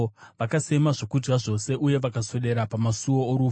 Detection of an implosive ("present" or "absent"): present